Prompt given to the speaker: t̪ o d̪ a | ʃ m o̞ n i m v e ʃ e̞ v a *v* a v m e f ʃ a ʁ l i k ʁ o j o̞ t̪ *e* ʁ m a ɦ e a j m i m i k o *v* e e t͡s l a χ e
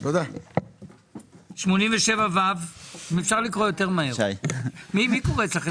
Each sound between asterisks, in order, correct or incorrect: correct, correct, incorrect: ʁ

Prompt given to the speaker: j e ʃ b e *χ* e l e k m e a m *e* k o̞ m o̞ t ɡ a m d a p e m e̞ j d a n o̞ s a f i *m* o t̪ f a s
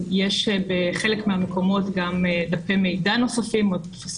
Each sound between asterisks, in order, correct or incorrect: correct, correct, correct

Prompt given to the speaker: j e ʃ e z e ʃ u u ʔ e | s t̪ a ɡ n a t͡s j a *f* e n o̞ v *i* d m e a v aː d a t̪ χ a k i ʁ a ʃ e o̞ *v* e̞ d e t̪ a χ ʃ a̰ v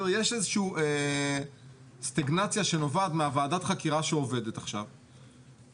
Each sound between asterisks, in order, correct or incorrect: incorrect: ʃ, incorrect: a, correct

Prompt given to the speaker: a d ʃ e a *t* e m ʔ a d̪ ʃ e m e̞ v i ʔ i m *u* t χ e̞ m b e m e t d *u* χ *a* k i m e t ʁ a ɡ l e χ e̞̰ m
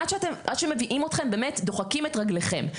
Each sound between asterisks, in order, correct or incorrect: correct, incorrect: o, incorrect: o, correct

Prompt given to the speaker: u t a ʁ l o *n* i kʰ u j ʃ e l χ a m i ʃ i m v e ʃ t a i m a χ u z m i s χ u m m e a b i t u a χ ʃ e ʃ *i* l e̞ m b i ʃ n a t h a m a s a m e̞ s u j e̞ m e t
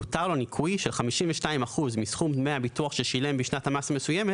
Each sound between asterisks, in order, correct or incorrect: correct, correct

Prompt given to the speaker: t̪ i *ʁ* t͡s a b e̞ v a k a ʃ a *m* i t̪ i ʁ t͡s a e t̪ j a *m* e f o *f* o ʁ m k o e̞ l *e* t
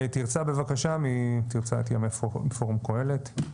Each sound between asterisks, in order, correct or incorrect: correct, correct, correct, correct, correct

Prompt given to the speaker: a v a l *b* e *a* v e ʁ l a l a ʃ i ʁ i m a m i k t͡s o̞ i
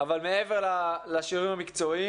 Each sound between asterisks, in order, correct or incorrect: incorrect: m, incorrect: e

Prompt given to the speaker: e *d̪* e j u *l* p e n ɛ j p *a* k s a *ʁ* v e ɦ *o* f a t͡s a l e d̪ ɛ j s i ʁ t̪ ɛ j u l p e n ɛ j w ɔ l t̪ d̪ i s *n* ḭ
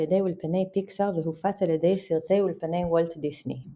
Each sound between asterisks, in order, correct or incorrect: correct, correct, incorrect: i, correct, incorrect: u, correct

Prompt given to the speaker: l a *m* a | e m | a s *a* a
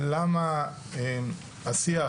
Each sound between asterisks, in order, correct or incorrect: correct, incorrect: i

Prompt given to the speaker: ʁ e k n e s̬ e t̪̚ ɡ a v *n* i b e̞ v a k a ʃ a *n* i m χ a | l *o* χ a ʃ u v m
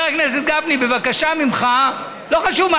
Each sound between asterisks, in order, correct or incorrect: correct, incorrect: m, correct

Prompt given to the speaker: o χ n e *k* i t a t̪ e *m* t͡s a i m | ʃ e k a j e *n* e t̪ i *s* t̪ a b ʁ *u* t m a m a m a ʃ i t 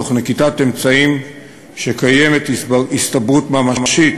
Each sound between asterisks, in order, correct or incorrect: correct, correct, incorrect: m, correct, correct

